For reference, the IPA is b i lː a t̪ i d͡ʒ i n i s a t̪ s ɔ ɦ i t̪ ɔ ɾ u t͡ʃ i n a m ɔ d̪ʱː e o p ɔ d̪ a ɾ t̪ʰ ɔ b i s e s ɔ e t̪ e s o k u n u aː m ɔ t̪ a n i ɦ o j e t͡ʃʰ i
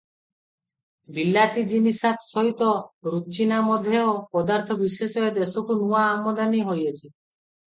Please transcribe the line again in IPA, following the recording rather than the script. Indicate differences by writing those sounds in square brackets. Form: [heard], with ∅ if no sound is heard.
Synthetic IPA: b i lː a t̪ i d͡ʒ i n i s a t̪ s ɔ ɦ i t̪ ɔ ɾ u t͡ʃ i n a m ɔ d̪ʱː e o p ɔ d̪ a ɾ t̪ʰ ɔ b i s e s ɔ e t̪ e s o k u n u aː m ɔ [d̪] a n i ɦ o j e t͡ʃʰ i